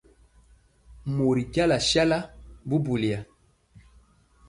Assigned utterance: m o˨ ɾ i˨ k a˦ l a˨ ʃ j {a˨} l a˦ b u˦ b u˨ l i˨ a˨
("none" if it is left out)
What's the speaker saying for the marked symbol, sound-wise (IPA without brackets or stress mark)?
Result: a˦